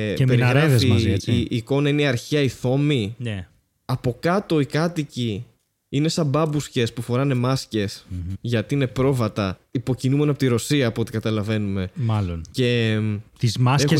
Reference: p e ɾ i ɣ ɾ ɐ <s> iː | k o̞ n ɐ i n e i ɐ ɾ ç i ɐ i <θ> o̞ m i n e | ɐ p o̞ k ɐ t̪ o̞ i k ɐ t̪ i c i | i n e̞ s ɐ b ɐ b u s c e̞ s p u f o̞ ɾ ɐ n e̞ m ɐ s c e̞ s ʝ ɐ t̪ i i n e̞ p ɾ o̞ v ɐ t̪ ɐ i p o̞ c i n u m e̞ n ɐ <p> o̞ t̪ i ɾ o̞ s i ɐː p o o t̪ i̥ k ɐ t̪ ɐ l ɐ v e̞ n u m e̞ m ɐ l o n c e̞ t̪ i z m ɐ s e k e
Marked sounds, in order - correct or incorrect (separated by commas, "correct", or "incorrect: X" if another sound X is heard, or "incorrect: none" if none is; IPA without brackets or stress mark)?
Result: incorrect: f, correct, correct